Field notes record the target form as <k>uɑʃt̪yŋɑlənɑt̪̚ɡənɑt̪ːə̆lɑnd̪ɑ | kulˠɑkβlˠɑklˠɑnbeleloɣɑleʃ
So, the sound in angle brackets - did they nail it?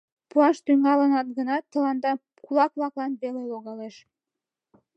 no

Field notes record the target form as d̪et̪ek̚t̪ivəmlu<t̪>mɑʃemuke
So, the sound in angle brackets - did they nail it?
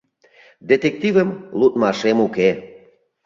yes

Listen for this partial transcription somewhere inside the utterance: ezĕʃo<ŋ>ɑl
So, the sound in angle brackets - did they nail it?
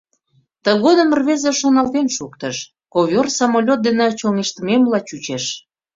no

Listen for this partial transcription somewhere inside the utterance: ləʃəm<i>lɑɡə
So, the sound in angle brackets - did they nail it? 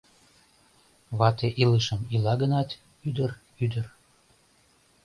yes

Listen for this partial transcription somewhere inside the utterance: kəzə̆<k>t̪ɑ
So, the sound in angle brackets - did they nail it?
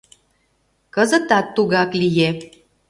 no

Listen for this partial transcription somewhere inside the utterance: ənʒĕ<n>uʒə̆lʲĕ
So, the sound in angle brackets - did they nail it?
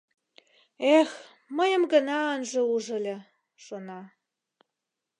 no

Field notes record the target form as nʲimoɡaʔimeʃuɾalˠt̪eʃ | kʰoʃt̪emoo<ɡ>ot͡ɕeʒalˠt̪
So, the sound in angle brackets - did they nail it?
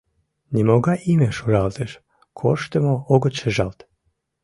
yes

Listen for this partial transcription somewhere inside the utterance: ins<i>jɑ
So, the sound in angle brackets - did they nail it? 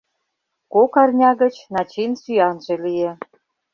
no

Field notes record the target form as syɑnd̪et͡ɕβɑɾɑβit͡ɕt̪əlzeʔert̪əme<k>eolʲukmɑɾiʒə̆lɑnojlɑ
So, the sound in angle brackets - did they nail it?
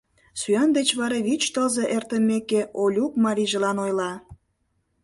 yes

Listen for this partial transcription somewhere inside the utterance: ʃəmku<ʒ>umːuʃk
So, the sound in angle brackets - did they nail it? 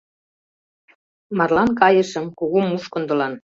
no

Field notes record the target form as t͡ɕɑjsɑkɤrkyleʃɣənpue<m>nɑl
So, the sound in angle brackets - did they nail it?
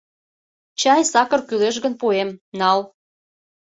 yes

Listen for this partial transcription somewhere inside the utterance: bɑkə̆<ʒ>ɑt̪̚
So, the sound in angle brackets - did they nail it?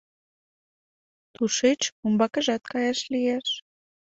yes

